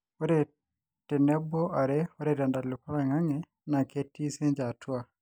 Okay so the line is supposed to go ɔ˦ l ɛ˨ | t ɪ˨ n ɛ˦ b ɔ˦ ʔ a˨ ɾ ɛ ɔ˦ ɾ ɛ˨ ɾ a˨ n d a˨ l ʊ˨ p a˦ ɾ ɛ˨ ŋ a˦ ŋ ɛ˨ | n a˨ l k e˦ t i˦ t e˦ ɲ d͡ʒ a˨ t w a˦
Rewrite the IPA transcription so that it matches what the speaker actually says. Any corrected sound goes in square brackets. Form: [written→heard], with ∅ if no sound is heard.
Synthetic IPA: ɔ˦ [l→ɾ] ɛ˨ | t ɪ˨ n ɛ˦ b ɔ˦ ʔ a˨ ɾ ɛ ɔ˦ ɾ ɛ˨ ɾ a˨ n d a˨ l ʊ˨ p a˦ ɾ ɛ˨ ŋ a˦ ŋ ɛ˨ | n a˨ [l→∅] k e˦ t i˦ [t→s] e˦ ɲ d͡ʒ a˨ t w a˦